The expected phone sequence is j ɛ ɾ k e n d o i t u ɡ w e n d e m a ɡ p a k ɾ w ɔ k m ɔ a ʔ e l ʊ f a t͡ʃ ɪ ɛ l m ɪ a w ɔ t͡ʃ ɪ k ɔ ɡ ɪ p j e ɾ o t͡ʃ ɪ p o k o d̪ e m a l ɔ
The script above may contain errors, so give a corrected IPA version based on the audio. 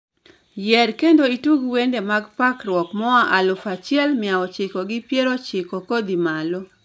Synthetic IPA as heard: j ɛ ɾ k e n d o i t u ɡ w e n d e m a ɡ p a k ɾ w ɔ k m ɔ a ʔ a l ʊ f a t͡ʃ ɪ ɛ l m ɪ a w ɔ t͡ʃ ɪ k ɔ ɡ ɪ p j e ɾ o t͡ʃ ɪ k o k o d̪ i m a l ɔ